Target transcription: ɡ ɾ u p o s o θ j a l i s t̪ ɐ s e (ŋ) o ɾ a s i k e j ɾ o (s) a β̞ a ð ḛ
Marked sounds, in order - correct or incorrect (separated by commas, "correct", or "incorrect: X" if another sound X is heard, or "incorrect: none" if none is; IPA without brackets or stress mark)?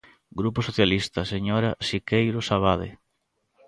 incorrect: ɲ, correct